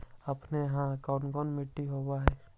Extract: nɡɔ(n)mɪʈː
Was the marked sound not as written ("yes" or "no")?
no